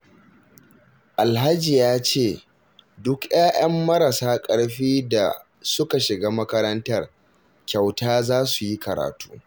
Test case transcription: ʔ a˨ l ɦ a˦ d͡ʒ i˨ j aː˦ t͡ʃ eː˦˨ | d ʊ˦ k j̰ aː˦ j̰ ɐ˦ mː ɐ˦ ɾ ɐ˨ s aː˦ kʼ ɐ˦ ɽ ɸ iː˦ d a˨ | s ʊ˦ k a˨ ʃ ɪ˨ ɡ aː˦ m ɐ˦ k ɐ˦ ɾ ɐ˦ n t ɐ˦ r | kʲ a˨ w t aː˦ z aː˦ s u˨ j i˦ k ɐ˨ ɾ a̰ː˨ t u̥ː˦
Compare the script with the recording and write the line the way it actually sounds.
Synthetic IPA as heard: ʔ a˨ l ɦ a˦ d͡ʒ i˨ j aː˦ t͡ʃ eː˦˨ | d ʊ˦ k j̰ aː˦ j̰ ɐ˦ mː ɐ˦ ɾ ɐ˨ s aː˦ kʼ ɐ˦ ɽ ɸ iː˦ d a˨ | s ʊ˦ k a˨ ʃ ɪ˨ ɡ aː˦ m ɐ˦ k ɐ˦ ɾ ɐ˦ n t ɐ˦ r | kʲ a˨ w t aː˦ z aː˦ s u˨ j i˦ k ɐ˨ ɾ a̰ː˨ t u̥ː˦